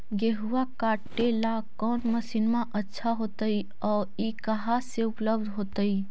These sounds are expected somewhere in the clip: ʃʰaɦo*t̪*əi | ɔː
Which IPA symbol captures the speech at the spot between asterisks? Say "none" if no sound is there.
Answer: t̪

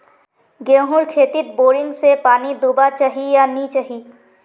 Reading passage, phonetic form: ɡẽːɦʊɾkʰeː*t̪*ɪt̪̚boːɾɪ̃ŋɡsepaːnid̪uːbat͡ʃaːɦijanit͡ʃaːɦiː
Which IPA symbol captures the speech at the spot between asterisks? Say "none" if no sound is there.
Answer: t̪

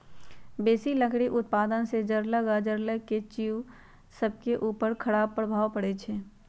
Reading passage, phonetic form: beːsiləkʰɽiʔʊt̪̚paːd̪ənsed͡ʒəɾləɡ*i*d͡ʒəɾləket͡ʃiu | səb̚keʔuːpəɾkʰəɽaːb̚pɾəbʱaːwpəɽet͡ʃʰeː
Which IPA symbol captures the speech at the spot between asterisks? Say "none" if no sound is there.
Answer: a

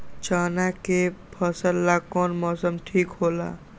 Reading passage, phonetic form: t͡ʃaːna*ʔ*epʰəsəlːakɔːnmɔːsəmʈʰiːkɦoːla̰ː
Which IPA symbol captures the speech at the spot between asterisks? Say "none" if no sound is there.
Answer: k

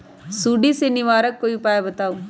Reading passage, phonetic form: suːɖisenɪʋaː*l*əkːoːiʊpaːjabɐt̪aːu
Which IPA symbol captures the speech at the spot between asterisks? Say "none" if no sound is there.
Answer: ɾ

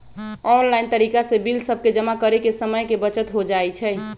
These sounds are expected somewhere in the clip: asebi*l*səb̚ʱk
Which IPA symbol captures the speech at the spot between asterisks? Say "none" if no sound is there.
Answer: l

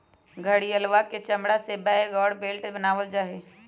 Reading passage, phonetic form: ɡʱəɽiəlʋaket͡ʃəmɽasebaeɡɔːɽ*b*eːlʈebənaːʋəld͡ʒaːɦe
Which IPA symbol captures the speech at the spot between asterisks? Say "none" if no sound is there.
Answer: b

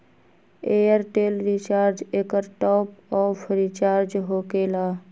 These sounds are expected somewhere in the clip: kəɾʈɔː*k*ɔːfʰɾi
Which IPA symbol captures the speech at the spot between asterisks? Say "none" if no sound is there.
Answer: p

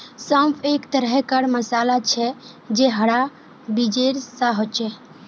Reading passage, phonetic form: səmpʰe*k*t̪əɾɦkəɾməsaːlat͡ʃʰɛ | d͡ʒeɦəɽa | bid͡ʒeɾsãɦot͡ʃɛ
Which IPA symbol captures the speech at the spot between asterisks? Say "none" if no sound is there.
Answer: k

